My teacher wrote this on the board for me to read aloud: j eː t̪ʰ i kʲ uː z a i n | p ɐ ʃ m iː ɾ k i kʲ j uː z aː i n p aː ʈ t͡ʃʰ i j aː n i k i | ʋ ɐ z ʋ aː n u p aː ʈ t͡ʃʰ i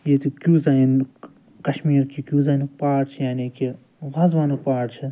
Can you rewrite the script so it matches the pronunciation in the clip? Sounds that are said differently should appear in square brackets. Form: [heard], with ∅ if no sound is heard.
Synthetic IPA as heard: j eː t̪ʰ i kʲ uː z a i n | [k] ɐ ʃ m iː ɾ k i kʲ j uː z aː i n p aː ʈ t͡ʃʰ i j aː n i k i | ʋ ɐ z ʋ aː n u p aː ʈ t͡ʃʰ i